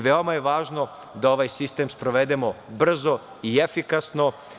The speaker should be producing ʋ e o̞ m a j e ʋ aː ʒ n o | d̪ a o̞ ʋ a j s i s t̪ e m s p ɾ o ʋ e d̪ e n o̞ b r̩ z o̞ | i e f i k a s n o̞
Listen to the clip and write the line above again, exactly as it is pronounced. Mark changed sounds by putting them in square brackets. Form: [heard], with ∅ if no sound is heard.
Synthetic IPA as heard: ʋ e o̞ m a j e ʋ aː ʒ n o | d̪ a o̞ ʋ a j s i s t̪ e m s p ɾ o ʋ e d̪ e [m] o̞ b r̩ z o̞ | i e f i k a s n o̞